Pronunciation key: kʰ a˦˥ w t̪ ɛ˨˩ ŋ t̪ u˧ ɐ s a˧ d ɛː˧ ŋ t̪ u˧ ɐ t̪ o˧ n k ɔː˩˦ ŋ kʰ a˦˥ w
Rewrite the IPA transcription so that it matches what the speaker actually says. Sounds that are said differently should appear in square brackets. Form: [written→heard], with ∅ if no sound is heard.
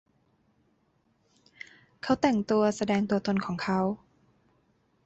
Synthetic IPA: kʰ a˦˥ w t̪ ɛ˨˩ ŋ t̪ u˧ ɐ s a˧ d ɛː˧ ŋ t̪ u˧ ɐ t̪ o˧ n [k→kʰ] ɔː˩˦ ŋ kʰ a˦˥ w